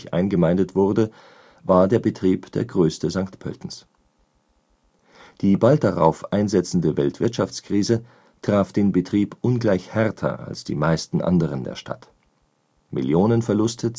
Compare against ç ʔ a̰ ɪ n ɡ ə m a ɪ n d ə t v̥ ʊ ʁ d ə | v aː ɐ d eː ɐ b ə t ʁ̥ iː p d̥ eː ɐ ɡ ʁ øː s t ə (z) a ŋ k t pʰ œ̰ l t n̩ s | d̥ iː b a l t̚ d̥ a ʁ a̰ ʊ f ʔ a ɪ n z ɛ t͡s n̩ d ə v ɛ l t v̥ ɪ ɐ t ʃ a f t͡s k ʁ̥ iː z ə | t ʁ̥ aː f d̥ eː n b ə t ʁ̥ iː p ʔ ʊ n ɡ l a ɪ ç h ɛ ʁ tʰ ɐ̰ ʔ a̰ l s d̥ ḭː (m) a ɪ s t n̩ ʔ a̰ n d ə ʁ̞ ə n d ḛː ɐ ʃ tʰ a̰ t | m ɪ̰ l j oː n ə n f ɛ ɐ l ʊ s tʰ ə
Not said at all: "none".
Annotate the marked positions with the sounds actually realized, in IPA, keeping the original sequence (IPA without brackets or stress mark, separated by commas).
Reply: z, m